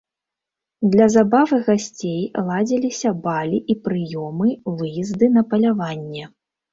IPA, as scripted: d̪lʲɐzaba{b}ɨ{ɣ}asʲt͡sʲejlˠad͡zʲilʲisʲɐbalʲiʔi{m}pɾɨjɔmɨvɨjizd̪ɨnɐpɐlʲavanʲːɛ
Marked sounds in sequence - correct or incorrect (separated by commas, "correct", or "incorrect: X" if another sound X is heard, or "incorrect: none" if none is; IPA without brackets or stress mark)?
incorrect: v, correct, incorrect: none